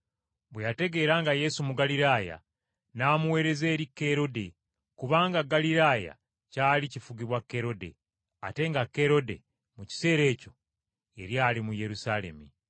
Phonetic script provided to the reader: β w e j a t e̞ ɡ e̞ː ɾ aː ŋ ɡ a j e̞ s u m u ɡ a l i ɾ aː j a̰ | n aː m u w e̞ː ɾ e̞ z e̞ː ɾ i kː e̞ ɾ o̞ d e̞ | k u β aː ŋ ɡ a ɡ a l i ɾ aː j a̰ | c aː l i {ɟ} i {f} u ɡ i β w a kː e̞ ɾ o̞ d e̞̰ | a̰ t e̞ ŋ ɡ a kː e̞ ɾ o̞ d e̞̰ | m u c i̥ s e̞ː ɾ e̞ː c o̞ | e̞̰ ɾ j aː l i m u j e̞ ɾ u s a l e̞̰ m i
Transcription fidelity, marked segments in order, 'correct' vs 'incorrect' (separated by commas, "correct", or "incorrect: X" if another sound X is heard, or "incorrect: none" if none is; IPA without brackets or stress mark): incorrect: c, correct